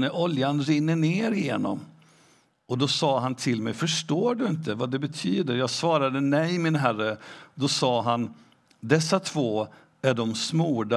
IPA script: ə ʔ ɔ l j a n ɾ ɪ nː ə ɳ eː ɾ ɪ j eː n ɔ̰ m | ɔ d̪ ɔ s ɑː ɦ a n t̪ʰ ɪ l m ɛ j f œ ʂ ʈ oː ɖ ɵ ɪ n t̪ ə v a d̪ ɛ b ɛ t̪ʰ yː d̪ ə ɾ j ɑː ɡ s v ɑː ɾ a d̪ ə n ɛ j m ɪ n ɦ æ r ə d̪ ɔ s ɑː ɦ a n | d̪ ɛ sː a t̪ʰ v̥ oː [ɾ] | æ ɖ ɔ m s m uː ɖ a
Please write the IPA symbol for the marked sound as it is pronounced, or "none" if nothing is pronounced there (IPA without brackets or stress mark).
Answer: none